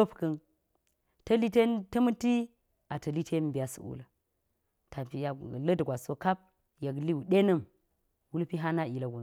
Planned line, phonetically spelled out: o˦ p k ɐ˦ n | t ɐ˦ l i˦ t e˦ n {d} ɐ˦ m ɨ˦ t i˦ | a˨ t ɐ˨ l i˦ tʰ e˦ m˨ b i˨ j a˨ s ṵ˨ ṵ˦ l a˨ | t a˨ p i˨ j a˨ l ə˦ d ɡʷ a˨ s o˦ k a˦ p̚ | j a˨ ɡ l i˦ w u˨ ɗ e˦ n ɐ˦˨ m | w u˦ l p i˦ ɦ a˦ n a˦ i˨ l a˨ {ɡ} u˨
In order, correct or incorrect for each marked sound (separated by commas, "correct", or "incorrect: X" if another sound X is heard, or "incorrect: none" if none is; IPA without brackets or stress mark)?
incorrect: t, correct